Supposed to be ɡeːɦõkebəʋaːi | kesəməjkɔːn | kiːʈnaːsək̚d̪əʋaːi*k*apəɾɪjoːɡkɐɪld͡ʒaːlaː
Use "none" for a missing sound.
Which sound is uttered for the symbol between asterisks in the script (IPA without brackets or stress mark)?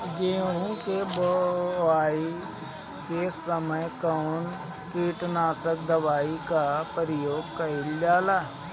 k